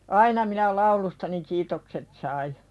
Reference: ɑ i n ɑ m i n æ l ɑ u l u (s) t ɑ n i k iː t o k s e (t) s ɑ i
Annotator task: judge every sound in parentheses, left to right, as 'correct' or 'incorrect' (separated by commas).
correct, correct